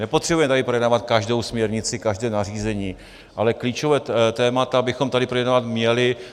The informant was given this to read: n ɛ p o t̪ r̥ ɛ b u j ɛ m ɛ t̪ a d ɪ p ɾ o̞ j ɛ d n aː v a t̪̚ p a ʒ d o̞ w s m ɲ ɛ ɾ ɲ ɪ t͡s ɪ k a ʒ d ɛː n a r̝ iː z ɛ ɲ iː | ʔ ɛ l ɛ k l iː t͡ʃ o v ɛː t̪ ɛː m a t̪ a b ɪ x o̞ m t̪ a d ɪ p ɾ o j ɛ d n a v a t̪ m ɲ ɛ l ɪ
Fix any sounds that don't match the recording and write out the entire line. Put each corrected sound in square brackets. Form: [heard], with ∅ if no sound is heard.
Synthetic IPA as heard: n ɛ p o t̪ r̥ ɛ b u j ɛ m ɛ t̪ a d ɪ p ɾ o̞ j ɛ d n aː v a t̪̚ [k] a ʒ d o̞ w s m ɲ ɛ ɾ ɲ ɪ t͡s ɪ k a ʒ d ɛː n a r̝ iː z ɛ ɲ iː | ʔ [a] l ɛ k l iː t͡ʃ o v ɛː t̪ ɛː m a t̪ a b ɪ x o̞ m t̪ a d ɪ p ɾ o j ɛ d n a v a t̪ m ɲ ɛ l ɪ